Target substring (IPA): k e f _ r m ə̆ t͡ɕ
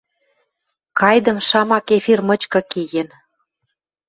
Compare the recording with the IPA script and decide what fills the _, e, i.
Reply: i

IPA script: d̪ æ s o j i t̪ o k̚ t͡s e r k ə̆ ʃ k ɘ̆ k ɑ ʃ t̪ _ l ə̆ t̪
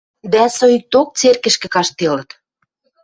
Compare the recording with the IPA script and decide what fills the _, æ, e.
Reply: e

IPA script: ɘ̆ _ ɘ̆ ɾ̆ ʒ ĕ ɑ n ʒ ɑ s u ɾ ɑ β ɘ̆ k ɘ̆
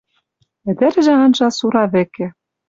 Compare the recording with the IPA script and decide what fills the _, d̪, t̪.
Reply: d̪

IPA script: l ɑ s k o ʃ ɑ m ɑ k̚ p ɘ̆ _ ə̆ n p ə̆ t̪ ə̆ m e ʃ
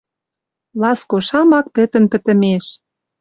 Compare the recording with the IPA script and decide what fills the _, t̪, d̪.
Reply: t̪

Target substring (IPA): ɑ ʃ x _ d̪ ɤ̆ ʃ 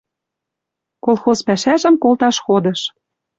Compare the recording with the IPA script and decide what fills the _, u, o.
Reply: o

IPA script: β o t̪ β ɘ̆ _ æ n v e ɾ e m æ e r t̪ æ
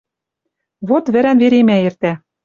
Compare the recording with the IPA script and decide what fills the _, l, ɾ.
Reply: ɾ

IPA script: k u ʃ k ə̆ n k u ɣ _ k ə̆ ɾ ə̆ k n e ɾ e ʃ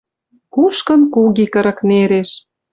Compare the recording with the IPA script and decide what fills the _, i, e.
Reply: i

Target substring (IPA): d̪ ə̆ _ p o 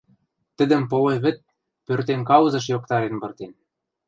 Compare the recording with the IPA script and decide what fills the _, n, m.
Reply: m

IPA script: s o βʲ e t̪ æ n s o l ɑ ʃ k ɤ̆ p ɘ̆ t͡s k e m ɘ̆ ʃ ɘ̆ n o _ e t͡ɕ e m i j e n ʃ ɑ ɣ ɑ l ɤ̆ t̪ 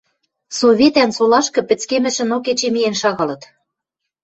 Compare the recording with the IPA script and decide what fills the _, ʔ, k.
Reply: k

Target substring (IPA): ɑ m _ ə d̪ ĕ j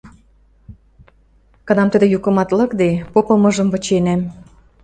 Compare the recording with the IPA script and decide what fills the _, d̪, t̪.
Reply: t̪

